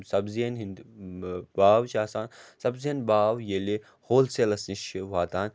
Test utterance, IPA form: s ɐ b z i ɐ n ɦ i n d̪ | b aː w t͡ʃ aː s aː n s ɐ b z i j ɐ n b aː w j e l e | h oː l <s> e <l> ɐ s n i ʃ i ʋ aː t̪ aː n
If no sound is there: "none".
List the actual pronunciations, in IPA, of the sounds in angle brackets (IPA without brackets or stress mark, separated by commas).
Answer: s, l